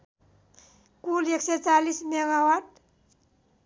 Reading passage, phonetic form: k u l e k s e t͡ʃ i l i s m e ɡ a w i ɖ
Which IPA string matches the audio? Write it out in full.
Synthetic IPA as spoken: k u l e k s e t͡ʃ a l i s m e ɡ a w a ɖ